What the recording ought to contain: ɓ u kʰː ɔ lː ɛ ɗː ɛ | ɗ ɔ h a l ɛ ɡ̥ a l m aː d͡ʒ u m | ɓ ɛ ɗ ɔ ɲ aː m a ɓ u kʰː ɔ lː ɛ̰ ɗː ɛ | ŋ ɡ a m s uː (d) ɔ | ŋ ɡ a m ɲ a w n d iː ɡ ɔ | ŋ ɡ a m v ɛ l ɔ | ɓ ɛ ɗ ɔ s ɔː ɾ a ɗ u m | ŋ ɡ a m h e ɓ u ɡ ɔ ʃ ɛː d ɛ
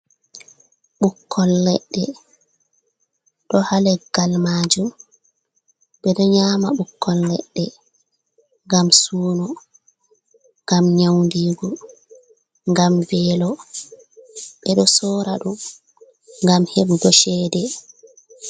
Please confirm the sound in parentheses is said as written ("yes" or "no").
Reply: no